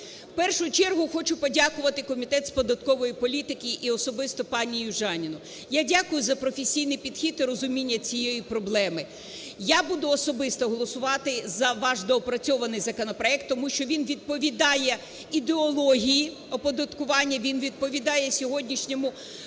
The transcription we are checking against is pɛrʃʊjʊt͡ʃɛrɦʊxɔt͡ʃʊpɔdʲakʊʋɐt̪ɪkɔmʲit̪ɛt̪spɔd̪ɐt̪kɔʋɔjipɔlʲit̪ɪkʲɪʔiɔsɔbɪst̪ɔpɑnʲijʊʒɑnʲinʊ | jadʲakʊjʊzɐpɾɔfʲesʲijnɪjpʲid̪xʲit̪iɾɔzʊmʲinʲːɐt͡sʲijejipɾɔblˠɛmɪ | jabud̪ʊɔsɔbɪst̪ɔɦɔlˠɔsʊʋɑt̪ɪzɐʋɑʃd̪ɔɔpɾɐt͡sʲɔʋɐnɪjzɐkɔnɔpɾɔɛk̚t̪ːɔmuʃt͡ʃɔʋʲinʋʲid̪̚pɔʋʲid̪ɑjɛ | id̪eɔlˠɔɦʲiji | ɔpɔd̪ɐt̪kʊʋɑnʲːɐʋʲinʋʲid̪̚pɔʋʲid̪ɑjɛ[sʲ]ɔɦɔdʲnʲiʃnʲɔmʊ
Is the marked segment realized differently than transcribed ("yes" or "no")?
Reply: no